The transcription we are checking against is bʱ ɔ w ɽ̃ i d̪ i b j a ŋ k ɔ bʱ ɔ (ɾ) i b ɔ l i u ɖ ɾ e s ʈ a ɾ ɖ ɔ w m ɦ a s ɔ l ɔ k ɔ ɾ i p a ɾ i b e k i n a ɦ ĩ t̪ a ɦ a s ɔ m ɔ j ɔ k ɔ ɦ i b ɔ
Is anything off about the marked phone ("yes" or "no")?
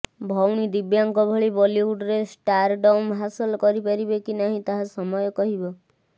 yes